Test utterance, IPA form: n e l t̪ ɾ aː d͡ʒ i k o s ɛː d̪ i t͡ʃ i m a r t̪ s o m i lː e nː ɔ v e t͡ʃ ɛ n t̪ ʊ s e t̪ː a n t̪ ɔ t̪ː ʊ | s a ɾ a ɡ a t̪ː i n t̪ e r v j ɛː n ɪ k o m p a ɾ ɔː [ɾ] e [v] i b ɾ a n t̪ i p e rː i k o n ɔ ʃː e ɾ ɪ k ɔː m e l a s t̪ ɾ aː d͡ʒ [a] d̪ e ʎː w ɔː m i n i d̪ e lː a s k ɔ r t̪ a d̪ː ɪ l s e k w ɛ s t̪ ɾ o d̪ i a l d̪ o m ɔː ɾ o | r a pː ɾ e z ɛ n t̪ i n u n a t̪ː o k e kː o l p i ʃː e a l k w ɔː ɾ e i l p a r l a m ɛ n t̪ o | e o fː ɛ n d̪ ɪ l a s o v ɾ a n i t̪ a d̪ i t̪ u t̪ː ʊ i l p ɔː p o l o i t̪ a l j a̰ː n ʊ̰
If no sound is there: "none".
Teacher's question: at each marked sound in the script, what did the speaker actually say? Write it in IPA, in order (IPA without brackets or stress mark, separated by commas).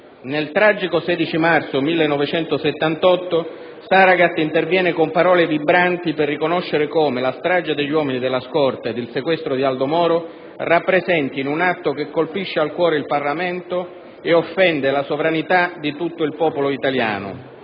l, v, a